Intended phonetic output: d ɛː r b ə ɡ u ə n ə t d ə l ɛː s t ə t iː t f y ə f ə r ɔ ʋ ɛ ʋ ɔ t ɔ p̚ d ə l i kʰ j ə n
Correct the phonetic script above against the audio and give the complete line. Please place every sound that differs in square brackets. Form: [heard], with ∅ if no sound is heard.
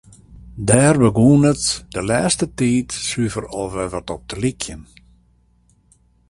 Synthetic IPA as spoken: d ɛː r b ə ɡ u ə n ə t d ə l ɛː s t ə t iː t [s] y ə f ə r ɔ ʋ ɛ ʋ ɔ t ɔ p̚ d ə l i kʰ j ə n